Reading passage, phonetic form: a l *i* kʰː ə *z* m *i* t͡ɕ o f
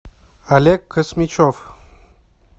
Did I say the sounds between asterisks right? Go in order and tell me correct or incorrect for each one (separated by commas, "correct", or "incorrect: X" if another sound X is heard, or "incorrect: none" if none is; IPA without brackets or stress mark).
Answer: incorrect: e, incorrect: s, correct